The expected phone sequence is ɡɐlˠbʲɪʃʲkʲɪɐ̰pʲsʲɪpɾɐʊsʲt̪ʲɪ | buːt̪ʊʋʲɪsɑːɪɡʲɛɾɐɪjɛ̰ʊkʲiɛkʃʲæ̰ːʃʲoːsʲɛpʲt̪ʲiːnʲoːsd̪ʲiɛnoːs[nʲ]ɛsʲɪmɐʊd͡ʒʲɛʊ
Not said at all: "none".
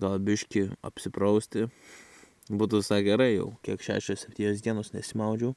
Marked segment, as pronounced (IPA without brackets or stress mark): nʲ